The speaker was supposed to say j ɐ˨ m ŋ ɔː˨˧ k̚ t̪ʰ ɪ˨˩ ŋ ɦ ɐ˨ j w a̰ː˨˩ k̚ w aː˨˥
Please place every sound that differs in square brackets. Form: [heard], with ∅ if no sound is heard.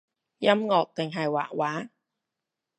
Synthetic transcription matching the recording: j [ɐ˥] m ŋ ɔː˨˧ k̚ [t̪] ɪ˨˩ ŋ ɦ ɐ˨ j w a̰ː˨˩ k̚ w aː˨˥